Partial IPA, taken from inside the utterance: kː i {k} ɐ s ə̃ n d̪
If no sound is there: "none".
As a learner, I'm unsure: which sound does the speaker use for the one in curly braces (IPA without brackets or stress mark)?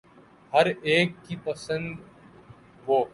p